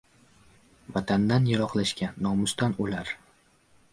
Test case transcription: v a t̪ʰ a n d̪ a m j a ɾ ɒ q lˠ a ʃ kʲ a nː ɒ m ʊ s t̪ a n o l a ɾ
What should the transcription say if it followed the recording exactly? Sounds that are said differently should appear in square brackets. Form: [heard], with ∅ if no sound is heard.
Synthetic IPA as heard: v a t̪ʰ a n d̪ a [n] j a ɾ ɒ q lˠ a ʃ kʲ a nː ɒ m ʊ s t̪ a n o l a ɾ